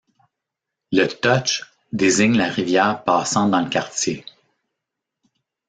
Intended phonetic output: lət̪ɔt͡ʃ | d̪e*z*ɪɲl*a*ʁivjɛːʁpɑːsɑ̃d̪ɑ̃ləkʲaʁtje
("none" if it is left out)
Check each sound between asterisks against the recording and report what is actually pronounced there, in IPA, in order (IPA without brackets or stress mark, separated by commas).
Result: z, a